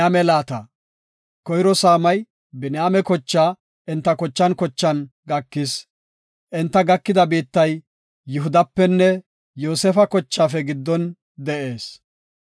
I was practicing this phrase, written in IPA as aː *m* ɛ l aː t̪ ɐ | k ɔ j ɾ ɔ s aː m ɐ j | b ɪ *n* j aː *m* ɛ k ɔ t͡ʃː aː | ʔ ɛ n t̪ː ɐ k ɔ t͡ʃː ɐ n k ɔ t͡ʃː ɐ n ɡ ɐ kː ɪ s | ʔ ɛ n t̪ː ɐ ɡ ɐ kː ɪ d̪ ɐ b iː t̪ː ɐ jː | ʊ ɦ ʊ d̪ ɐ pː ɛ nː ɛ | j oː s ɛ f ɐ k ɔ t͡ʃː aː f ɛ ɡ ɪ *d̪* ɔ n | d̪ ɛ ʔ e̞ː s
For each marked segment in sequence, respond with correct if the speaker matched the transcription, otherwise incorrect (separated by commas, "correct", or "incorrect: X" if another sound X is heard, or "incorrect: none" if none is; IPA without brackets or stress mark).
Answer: correct, correct, correct, incorrect: d̪ː